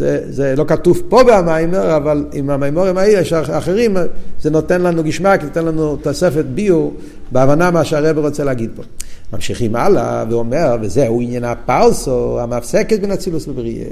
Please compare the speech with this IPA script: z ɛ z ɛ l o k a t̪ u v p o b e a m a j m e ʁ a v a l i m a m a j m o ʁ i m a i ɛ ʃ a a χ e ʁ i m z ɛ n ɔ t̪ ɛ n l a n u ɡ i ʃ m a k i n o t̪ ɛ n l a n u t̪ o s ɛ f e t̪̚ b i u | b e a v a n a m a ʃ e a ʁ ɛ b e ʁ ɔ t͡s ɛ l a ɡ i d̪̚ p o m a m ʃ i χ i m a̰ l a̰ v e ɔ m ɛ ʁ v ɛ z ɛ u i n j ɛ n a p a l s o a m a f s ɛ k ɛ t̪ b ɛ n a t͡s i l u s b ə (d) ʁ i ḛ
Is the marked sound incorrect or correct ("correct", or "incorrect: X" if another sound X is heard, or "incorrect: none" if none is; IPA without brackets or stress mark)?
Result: incorrect: b